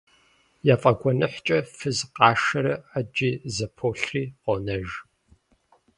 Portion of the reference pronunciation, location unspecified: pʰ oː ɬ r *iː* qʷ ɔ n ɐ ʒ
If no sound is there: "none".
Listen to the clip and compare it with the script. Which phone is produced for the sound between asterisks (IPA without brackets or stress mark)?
iː